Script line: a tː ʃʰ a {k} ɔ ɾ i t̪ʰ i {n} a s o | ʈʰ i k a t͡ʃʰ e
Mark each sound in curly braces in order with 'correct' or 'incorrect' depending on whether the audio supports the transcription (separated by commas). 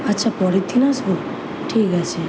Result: incorrect, correct